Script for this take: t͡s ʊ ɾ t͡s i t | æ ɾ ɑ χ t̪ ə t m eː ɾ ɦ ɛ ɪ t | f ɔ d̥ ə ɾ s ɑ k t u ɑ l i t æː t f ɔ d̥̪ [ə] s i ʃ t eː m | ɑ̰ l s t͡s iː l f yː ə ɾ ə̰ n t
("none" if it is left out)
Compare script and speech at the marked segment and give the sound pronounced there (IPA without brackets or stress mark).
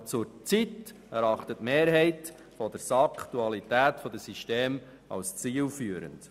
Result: ə